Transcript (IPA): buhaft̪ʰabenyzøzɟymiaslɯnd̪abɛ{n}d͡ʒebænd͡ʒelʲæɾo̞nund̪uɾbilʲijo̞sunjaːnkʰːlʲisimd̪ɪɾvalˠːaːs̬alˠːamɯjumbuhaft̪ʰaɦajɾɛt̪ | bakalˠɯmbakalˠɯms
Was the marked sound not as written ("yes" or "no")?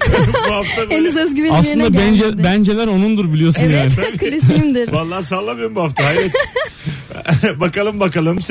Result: no